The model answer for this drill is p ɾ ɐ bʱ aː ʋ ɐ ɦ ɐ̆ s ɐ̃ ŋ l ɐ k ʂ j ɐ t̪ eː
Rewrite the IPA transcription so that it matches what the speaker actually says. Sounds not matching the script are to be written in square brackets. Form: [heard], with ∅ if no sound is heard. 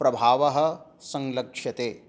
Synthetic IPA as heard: p ɾ ɐ bʱ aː ʋ ɐ ɦ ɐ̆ s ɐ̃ ŋ l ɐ k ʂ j ɐ t̪ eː